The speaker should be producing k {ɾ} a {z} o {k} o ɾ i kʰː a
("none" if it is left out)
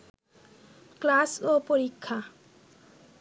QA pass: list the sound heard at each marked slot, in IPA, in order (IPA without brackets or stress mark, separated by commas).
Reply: l, s, p